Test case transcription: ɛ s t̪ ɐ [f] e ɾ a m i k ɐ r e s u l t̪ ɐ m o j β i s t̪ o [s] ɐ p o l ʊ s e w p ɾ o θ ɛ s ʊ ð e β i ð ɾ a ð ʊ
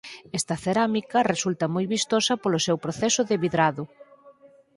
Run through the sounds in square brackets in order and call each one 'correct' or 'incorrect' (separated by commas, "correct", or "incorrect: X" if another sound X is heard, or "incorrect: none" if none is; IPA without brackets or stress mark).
incorrect: θ, correct